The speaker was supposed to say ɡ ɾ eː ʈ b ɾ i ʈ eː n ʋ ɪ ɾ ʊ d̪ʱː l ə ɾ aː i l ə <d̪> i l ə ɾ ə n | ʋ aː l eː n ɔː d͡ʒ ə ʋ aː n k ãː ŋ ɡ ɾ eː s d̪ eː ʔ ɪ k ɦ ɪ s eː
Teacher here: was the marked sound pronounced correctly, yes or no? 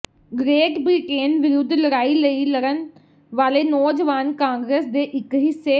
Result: no